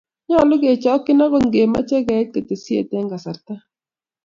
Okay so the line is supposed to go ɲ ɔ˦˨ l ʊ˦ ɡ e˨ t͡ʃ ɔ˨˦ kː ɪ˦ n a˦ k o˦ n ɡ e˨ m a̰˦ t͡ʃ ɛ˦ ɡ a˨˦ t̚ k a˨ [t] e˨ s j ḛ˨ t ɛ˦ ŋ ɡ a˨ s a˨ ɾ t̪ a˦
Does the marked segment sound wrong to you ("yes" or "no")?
no